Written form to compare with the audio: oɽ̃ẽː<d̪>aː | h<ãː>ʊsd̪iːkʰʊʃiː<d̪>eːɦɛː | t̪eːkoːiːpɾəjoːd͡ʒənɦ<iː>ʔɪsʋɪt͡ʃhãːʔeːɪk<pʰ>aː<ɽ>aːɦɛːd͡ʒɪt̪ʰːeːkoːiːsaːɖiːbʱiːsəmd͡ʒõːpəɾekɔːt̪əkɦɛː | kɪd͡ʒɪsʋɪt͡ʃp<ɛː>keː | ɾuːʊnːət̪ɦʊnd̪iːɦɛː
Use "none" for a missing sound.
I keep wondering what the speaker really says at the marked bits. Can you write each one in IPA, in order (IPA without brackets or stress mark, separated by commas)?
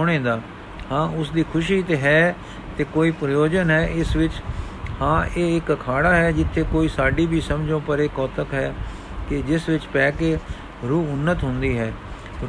d̪, ãː, t̪, ɛː, kʰ, ɽ, ɛː